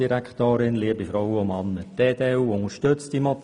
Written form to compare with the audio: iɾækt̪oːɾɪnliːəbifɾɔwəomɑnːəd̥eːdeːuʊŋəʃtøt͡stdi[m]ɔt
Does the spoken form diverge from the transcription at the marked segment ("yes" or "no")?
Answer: no